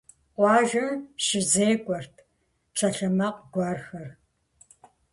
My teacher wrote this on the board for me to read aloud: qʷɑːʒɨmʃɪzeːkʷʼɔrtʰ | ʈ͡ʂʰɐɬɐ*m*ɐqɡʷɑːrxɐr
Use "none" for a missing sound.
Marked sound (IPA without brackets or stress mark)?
m